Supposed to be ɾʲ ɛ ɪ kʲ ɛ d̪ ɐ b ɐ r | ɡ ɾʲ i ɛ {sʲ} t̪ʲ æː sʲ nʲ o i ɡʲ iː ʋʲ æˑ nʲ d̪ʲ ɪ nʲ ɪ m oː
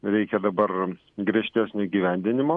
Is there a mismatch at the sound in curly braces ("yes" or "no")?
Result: yes